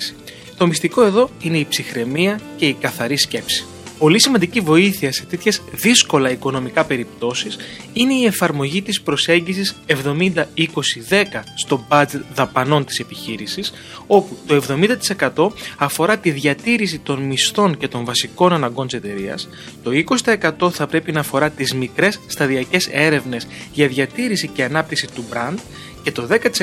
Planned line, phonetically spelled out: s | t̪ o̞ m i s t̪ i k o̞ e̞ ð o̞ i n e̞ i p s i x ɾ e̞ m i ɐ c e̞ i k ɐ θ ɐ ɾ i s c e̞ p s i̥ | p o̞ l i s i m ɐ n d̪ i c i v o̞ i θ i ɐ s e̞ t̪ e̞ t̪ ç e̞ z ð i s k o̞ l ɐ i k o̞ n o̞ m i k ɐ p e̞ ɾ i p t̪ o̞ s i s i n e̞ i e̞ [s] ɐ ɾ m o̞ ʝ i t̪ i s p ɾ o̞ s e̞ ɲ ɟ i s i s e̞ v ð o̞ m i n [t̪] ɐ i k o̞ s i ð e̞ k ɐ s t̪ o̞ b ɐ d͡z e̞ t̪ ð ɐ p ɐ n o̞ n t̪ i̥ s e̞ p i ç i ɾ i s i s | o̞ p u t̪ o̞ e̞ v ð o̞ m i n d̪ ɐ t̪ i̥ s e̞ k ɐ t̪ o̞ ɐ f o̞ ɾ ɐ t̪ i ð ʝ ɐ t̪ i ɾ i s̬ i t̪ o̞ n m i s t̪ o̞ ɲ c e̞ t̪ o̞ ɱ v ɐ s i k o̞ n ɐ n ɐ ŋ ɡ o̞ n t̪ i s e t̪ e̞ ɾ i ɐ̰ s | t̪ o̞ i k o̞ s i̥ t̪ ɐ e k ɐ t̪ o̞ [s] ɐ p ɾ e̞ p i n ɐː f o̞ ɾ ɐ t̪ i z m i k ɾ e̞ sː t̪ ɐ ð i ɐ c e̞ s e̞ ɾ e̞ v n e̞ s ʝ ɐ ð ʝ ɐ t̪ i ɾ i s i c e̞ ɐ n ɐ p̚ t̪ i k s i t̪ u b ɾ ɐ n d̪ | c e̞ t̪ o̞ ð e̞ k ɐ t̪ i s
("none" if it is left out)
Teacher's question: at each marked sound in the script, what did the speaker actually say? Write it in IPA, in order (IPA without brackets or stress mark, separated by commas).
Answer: f, d̪, θ